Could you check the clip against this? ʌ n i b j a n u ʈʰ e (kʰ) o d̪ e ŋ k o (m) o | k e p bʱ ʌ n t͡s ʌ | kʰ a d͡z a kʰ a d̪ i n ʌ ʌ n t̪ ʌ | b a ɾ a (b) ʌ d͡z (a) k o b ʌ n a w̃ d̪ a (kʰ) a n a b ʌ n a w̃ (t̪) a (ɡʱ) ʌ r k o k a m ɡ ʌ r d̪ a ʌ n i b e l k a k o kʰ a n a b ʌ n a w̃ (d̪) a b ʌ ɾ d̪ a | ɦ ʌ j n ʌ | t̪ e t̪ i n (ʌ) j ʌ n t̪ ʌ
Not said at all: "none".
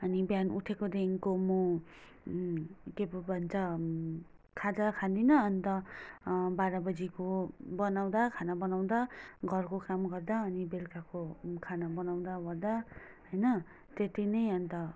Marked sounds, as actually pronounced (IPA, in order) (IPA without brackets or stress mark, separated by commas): k, m, b, i, kʰ, d̪, ɡʱ, d̪, ʌ